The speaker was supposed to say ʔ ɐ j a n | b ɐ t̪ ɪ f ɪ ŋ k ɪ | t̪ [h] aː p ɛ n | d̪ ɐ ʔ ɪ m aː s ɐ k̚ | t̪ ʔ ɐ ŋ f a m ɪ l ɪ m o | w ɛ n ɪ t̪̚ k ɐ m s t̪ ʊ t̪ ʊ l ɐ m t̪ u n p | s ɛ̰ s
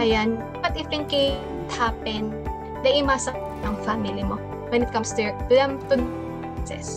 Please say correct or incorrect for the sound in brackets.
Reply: correct